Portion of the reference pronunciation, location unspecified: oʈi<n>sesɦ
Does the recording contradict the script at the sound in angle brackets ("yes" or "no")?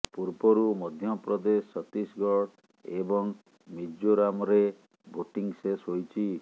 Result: yes